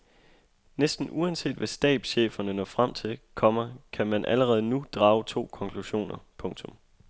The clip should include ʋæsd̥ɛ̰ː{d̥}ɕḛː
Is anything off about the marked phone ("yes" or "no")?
yes